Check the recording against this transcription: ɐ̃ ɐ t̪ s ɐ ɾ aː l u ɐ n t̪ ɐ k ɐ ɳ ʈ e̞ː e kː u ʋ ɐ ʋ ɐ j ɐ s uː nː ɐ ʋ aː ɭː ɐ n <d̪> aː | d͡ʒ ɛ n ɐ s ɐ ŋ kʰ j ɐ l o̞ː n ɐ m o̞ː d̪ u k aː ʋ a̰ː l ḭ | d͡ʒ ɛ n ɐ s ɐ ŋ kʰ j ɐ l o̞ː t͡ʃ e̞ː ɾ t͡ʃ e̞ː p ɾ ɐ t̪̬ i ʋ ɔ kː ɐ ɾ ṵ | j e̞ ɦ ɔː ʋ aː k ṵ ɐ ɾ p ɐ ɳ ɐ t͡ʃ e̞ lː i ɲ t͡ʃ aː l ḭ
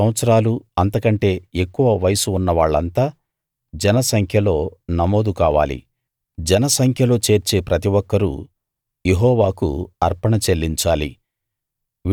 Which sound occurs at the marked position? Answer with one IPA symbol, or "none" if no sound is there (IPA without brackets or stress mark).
t̪